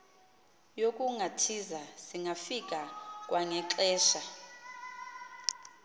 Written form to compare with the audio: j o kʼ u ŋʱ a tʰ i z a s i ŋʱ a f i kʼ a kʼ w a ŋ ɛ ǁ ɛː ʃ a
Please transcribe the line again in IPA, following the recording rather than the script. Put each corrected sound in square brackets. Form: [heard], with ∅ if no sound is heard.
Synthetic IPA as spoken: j o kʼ u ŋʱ a tʰ i z a s i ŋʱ a f i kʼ a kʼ w a ŋ ɛ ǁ ɛː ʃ a